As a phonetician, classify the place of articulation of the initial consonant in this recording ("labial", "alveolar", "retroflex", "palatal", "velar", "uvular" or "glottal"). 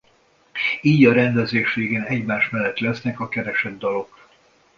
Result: palatal